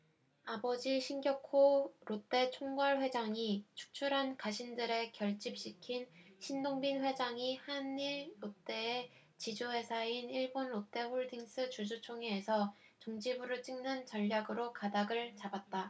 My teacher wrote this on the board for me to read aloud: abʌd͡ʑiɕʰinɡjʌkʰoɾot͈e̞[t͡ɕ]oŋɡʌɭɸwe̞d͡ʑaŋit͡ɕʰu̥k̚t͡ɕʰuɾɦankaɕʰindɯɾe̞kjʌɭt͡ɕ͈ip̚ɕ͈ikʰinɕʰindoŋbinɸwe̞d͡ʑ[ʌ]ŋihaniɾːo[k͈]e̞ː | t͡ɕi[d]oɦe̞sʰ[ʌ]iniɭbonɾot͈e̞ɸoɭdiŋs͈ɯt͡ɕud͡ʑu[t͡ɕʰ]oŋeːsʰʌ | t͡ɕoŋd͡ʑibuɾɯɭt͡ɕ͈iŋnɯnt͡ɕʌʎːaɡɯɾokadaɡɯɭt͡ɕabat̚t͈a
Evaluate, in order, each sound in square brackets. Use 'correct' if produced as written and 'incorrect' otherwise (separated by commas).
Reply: incorrect, incorrect, incorrect, incorrect, incorrect, correct